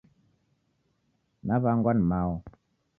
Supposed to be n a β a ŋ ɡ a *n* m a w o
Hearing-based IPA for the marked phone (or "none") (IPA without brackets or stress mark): n